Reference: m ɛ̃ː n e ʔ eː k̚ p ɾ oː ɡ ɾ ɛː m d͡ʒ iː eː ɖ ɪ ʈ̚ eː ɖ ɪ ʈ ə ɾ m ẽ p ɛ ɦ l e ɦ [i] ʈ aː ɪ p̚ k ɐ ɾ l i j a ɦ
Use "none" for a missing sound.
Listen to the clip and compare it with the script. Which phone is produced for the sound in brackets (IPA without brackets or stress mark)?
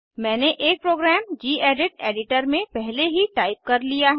i